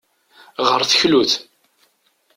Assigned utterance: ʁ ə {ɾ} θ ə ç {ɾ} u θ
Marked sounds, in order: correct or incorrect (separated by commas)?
correct, incorrect